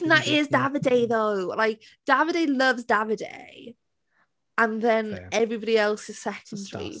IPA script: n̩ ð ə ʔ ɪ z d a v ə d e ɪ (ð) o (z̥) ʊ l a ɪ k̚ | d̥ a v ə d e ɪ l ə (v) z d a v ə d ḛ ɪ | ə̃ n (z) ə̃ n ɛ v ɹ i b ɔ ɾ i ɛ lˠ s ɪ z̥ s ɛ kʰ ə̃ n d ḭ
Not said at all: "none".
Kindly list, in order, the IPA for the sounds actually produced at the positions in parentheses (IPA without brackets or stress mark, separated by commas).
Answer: ð, none, v, ð